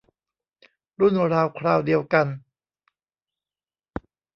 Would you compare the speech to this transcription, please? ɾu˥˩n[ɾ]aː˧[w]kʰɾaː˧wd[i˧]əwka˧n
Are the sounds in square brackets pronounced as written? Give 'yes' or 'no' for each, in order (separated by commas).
yes, yes, yes